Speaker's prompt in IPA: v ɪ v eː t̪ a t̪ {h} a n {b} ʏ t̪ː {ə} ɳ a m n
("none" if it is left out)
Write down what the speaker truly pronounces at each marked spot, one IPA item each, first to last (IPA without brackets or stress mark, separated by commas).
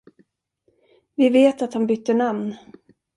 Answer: h, b, ə